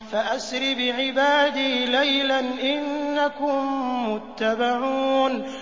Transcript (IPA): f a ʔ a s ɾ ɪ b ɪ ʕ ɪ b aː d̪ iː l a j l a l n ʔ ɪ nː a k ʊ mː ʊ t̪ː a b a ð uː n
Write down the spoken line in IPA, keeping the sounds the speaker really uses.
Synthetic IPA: f a ʔ a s ɾ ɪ b ɪ ʕ ɪ b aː d̪ iː l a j l a n ʔ ɪ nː a k ʊ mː ʊ t̪ː a b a ʕ uː n